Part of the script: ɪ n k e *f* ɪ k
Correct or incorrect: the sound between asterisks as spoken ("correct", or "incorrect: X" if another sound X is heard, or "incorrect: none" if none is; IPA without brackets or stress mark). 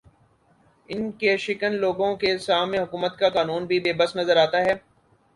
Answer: incorrect: ʃ